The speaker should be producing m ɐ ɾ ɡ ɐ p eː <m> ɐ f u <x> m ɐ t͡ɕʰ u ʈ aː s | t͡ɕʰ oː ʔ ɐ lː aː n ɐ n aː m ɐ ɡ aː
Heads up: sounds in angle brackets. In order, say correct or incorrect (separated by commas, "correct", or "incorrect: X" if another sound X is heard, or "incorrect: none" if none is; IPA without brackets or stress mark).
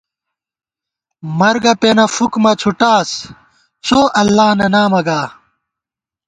incorrect: n, incorrect: k